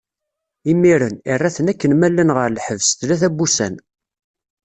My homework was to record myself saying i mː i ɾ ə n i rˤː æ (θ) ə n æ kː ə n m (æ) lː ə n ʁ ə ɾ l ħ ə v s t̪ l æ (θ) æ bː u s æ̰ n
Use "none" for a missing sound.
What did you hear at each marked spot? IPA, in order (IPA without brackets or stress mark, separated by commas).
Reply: θ, æ, θ